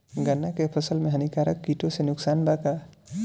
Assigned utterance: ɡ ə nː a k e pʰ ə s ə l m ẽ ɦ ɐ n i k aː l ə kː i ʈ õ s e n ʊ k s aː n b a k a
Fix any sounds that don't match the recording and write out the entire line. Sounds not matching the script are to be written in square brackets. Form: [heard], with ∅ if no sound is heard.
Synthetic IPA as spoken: ɡ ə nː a k e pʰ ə s ə l m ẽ ɦ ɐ n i k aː [ɾ] ə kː i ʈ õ s e n ʊ k s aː n b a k a